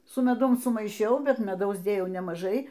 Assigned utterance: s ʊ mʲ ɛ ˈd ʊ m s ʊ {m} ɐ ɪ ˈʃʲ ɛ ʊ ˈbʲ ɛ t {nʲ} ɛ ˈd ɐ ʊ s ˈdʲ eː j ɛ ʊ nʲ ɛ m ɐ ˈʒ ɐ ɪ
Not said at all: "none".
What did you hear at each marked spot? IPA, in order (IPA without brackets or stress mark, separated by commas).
m, mʲ